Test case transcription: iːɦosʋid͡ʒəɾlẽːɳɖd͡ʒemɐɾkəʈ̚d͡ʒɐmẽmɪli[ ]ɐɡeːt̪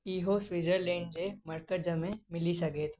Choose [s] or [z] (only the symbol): s